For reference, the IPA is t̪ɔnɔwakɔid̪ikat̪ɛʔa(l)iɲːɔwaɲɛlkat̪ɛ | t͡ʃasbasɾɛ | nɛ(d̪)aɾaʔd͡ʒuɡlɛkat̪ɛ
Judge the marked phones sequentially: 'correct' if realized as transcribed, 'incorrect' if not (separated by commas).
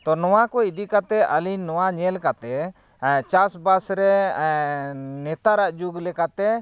correct, incorrect